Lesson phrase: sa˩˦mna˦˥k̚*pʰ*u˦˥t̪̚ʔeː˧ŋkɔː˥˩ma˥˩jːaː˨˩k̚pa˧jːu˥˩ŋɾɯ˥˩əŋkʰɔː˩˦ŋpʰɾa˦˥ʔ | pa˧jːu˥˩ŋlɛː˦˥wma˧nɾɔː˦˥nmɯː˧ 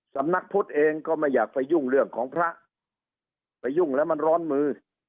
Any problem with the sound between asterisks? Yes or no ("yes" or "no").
no